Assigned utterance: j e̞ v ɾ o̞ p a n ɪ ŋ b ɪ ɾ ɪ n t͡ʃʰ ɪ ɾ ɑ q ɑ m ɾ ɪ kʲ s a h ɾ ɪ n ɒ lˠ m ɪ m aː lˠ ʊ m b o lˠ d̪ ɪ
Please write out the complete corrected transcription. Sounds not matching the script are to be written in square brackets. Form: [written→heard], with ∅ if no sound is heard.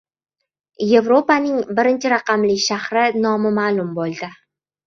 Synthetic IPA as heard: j e̞ v ɾ o̞ p a n ɪ ŋ b ɪ ɾ ɪ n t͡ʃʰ ɪ ɾ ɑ q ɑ m [ɾ→l] ɪ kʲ [s→ʃ] a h ɾ ɪ n ɒ [lˠ→∅] m ɪ m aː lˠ ʊ m b o lˠ d̪ ɪ